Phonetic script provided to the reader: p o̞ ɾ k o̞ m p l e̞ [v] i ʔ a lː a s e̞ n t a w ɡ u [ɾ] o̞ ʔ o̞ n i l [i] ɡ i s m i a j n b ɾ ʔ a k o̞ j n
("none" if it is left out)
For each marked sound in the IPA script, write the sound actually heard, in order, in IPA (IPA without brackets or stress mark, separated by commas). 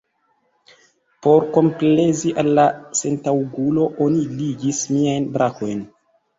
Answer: z, l, i